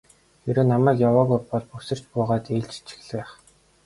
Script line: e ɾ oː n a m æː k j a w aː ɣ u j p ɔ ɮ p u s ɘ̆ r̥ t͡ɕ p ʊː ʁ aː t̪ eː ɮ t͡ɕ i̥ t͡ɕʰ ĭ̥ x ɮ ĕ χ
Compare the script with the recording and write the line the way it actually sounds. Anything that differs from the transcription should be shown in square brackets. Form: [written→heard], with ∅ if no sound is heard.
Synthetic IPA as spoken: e ɾ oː n a m æː k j a w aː ɣ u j p ɔ ɮ p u s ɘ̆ r̥ t͡ɕ p ʊː ʁ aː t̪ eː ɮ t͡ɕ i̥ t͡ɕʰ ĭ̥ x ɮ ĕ χ